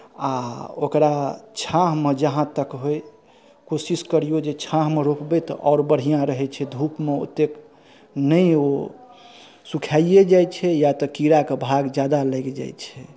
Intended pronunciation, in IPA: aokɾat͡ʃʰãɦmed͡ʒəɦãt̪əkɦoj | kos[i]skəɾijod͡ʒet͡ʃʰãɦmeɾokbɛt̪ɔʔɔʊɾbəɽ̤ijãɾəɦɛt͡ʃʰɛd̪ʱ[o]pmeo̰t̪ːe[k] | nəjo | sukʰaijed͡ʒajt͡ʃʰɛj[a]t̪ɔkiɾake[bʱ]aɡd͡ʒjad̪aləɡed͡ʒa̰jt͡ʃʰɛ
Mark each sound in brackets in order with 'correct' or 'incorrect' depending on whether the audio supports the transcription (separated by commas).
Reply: correct, incorrect, correct, correct, correct